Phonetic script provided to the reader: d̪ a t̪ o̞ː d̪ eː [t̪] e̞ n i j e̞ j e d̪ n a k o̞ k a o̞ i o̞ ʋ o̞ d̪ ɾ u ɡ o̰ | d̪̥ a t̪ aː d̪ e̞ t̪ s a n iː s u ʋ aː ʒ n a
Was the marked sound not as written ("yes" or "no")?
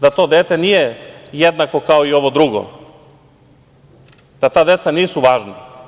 no